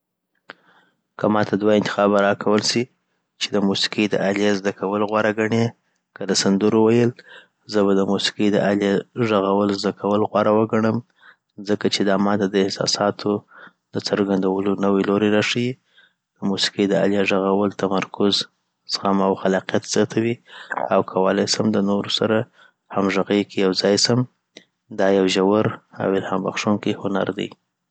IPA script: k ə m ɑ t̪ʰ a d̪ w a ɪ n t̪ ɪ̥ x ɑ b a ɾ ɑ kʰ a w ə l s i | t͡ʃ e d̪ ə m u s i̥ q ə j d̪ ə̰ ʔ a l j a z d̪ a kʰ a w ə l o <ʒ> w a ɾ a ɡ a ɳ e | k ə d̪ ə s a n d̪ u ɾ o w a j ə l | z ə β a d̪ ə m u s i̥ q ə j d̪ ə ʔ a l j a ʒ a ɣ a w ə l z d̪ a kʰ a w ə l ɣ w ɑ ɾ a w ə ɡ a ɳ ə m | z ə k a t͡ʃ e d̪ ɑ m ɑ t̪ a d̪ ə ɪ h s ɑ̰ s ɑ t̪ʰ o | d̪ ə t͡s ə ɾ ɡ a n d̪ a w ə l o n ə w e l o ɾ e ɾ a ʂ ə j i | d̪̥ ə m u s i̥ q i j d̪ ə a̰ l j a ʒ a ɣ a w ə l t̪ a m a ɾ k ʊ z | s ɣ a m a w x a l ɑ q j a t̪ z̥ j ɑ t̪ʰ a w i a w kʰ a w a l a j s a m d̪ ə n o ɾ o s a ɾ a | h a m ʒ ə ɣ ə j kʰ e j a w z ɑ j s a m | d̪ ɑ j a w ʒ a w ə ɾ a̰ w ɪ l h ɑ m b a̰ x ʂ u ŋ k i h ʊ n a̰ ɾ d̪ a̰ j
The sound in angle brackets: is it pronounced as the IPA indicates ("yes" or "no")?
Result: no